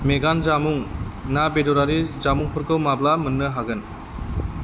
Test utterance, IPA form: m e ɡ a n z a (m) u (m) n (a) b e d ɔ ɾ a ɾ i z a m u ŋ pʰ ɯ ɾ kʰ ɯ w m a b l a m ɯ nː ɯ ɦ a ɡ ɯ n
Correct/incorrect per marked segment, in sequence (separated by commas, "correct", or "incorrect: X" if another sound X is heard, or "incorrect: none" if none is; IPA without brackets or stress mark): correct, incorrect: ŋ, correct